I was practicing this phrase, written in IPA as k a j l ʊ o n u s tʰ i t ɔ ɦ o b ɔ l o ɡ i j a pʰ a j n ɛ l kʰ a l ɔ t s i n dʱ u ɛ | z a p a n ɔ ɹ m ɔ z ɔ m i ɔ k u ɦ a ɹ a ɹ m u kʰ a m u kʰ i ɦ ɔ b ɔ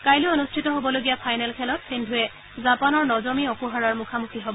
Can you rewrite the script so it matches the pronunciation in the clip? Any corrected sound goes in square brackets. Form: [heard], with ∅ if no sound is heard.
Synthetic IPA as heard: k a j l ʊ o n u s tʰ i t ɔ ɦ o b ɔ l o ɡ i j a pʰ a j n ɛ l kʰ [ɛ] l ɔ t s i n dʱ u ɛ | z a p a n ɔ ɹ [n] ɔ z ɔ m i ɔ k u ɦ a ɹ a ɹ m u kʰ a m u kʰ i ɦ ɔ b ɔ